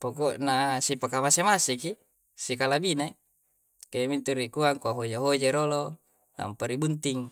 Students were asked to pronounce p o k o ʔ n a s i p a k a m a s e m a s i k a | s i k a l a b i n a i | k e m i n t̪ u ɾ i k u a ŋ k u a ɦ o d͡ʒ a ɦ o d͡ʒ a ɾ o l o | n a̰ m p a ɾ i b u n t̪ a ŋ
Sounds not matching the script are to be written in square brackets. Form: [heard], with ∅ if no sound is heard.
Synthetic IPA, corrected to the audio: p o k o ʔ n a s i p a k a m a s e m a s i k [i] | s i k a l a b i n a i | k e m i n t̪ u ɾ i k u a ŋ k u a ɦ o d͡ʒ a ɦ o d͡ʒ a ɾ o l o | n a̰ m p a ɾ i b u n t̪ [i] ŋ